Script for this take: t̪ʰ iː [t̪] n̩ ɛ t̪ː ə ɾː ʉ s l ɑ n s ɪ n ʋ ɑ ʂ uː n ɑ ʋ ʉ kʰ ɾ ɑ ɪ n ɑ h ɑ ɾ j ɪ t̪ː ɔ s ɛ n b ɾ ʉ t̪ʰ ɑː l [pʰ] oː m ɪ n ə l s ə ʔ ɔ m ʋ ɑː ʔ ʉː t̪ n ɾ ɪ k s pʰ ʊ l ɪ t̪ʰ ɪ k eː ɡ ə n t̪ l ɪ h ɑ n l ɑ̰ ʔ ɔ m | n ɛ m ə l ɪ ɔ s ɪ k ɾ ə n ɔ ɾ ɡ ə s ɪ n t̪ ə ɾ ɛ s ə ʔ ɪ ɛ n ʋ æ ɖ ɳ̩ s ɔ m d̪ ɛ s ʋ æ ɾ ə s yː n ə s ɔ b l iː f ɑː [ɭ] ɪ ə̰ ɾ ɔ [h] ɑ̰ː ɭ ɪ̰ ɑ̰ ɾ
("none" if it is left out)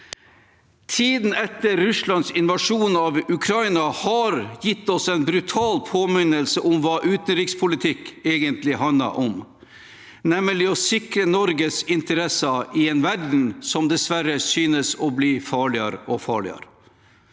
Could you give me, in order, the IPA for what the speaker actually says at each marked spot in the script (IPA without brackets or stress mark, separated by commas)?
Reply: d̪, pʰ, ɭ, f